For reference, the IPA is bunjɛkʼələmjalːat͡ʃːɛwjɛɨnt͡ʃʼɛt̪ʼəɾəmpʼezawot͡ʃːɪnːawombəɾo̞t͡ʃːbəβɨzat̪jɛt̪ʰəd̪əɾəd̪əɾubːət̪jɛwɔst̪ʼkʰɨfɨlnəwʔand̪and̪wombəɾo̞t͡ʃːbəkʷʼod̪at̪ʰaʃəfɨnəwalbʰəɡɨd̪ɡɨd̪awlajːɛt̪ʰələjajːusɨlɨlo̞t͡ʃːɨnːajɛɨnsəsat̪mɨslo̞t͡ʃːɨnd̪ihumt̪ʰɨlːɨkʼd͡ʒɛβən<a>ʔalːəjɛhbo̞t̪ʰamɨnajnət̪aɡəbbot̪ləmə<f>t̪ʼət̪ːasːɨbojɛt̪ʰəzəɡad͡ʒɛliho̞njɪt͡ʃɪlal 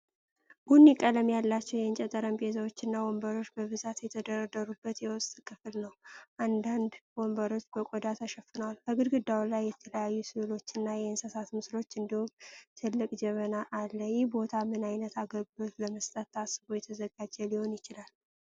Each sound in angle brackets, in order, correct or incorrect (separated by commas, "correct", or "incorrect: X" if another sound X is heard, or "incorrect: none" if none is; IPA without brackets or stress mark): correct, incorrect: s